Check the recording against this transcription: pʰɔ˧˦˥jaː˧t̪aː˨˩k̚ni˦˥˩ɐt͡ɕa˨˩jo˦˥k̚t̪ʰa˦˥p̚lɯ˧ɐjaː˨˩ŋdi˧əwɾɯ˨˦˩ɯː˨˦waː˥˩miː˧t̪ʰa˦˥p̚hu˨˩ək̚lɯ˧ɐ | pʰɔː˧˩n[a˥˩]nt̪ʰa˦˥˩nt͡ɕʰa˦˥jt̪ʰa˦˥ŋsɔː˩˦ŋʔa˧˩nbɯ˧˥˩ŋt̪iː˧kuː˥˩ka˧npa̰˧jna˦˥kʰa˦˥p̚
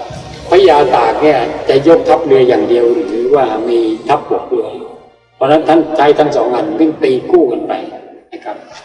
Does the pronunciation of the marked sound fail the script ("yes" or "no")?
yes